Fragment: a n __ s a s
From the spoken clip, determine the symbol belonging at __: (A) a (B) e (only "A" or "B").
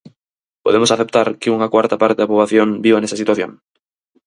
B